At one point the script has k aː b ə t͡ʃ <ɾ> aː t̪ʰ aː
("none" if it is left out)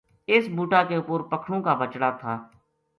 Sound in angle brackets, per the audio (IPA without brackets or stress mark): ɽ